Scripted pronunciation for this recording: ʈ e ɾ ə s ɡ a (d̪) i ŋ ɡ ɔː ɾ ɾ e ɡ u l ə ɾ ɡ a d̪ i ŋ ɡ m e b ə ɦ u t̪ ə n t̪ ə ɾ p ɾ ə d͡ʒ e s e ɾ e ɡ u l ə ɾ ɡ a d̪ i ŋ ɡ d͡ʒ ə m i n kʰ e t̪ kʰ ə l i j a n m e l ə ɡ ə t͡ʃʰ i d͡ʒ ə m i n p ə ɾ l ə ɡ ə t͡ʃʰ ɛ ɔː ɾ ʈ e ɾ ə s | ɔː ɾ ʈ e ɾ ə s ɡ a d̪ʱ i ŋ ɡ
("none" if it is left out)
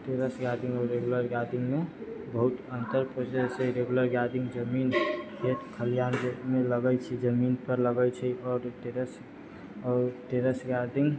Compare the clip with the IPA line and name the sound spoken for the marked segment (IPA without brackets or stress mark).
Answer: d̪